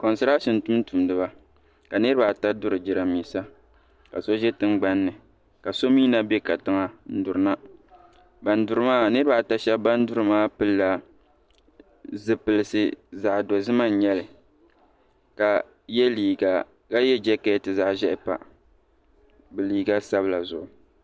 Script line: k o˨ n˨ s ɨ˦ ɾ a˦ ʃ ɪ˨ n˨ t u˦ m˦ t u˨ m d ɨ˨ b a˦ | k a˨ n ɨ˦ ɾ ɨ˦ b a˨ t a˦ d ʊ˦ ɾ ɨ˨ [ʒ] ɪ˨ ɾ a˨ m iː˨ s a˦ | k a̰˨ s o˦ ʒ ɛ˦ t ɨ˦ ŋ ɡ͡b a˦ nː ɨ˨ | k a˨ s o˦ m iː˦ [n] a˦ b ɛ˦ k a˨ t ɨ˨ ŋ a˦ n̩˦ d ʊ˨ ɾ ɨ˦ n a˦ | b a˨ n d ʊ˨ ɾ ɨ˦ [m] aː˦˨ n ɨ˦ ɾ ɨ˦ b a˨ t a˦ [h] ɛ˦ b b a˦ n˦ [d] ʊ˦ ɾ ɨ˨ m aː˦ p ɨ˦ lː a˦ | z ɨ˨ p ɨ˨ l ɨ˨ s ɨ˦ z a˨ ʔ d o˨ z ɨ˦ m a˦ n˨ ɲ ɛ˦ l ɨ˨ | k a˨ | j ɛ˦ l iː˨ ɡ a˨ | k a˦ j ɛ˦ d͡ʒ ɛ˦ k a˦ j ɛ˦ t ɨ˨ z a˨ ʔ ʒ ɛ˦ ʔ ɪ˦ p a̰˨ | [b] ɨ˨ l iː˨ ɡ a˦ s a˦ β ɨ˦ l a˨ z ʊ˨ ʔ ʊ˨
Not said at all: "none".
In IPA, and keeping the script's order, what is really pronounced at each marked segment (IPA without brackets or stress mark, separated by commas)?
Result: d͡ʒ, n, m, ʃ, d, b